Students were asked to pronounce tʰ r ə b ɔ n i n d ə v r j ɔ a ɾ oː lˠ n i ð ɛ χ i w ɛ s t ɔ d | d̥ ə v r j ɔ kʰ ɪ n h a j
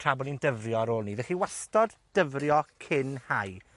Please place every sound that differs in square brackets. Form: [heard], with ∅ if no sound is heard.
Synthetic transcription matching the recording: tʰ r [a] b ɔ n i n d ə v r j ɔ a ɾ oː lˠ n i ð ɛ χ i w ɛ s t ɔ d | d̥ ə v r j ɔ kʰ ɪ n h a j

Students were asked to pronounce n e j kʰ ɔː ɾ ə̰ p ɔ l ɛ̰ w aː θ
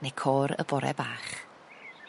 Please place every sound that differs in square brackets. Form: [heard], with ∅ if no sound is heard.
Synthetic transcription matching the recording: n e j kʰ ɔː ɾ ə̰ [b] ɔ [ɾ] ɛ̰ [b] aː [χ]

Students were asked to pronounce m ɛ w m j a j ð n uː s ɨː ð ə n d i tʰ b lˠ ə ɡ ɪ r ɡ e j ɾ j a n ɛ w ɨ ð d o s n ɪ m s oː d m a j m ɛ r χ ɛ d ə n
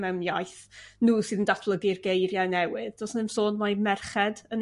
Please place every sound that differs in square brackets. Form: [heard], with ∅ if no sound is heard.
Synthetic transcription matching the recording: m ɛ w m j a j [θ] n uː s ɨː ð ə n d [a] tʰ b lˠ ə ɡ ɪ r ɡ e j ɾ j a n ɛ w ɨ ð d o s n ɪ m s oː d m a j m ɛ r χ ɛ d ə n

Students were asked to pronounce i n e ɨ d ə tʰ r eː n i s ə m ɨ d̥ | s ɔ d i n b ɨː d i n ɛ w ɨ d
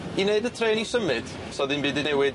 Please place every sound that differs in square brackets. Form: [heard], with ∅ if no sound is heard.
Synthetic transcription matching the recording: i n e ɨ d ə tʰ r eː n i s ə m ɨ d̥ | s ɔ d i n b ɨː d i n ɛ w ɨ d

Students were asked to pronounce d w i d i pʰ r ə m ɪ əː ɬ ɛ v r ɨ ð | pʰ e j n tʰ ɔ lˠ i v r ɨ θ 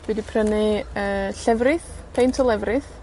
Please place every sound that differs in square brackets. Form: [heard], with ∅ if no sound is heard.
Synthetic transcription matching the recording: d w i d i pʰ r ə [n] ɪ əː ɬ ɛ v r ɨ [θ] | pʰ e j n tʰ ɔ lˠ [ɛ] v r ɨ θ

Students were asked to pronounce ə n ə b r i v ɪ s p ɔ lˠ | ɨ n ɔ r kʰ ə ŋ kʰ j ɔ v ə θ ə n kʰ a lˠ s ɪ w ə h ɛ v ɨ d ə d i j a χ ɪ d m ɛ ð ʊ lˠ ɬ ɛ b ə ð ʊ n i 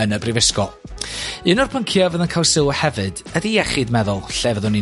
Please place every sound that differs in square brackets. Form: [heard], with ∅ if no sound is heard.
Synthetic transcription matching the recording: ə n ə b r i v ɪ s [k] ɔ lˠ | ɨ n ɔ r [pʰ] ə ŋ kʰ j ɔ v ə [ð] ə n kʰ a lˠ s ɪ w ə h ɛ v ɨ d ə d i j [ɛ] χ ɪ d m ɛ ð ʊ lˠ ɬ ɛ [v] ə ð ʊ n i

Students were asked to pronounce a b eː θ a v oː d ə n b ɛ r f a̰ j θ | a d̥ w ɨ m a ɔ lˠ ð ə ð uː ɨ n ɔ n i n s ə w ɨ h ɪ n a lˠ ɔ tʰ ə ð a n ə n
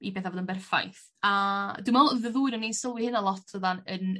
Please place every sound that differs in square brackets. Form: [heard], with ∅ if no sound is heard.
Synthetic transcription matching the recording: [i] b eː θ a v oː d ə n b ɛ r f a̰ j θ | a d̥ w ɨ m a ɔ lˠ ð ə ð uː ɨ n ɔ n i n s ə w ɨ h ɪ n a lˠ ɔ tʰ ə ð a n ə n

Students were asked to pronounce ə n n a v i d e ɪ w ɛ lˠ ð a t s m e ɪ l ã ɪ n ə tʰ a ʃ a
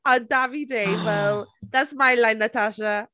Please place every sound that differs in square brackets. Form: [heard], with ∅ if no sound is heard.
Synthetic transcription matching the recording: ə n [d] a v i d e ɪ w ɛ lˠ ð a t s m [a] ɪ l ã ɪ n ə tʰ a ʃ [ə]

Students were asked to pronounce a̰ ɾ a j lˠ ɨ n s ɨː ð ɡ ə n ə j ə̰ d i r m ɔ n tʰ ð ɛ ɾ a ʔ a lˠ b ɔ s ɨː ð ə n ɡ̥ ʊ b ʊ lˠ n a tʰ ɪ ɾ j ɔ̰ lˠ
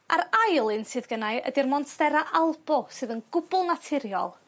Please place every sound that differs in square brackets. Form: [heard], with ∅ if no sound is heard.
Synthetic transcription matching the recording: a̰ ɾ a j lˠ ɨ n s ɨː ð ɡ ə n [a] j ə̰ d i r m ɔ n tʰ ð ɛ ɾ a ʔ a lˠ b ɔ s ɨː ð ə n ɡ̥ ʊ b ʊ lˠ n a tʰ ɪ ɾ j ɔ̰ lˠ

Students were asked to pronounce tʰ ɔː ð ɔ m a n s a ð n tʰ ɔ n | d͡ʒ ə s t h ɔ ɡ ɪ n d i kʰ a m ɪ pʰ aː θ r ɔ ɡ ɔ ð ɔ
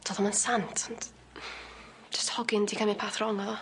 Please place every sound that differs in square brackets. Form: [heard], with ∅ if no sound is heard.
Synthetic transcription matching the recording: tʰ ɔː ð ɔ m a n s a [∅] n tʰ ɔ n | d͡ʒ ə s t h ɔ ɡ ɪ n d i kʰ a m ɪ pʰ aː θ r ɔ [ŋ] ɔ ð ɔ

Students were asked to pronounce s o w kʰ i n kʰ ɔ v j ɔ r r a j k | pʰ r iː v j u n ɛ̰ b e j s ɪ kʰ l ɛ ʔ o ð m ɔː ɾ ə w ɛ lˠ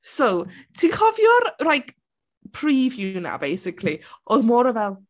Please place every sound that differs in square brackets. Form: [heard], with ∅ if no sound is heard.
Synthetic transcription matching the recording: s o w [tʰ] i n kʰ ɔ v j ɔ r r a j k | pʰ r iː v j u n [a̰] b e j s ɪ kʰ l [i] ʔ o ð m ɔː ɾ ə [v] ɛ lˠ

